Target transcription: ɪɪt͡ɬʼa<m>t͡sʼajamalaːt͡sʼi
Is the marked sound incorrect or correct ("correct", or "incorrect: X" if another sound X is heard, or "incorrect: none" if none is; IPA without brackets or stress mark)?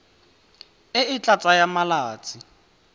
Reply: incorrect: none